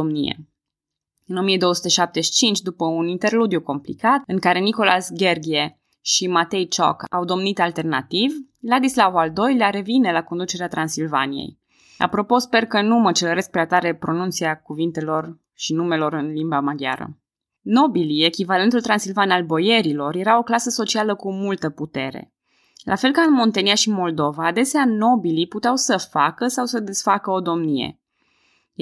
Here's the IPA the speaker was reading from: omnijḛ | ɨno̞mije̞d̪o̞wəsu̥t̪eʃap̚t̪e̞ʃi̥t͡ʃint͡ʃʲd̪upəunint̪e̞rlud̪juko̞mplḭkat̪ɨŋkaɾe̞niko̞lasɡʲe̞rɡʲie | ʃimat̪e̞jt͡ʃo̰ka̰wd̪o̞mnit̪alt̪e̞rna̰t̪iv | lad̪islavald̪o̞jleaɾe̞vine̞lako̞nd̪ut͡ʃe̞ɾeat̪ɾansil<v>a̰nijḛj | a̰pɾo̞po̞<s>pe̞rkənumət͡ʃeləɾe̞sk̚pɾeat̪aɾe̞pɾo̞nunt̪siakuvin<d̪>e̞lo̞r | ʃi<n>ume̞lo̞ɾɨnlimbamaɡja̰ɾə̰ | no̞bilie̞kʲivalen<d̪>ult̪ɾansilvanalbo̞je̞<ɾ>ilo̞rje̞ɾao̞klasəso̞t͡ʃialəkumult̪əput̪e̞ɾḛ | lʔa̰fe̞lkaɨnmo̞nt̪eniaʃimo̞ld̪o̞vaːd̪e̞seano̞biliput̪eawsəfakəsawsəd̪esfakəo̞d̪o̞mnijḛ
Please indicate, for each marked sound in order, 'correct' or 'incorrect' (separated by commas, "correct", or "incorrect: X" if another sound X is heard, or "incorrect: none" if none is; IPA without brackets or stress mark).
correct, correct, incorrect: t̪, correct, incorrect: t̪, correct